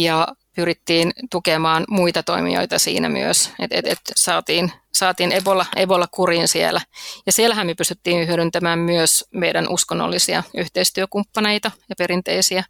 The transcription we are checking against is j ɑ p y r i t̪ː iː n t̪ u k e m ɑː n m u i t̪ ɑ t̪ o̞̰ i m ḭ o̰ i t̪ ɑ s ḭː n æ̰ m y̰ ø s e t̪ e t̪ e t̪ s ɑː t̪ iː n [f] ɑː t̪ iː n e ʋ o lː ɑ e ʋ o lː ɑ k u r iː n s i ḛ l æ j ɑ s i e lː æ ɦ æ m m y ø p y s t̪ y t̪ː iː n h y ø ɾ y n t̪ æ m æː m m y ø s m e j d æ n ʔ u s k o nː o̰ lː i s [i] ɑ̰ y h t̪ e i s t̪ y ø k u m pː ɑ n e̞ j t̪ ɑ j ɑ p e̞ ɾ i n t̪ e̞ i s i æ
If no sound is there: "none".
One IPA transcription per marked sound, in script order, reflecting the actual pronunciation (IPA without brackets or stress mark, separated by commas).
s, i